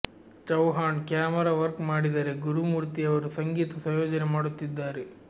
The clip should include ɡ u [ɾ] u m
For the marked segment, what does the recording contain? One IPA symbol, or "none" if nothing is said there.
ɾ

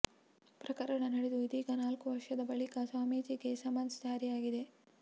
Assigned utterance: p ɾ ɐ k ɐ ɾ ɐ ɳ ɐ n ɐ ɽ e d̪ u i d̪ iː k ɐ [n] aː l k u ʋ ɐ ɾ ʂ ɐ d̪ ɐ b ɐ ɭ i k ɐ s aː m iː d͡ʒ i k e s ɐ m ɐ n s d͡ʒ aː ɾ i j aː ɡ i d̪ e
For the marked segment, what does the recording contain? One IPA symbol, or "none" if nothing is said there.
n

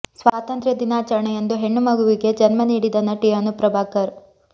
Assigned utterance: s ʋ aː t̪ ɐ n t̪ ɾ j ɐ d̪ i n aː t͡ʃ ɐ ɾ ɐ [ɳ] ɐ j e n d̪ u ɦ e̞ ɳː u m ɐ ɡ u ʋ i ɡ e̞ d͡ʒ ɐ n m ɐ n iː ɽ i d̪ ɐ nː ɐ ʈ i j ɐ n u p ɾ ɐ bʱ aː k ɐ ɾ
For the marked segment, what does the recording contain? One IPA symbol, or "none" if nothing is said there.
ɳ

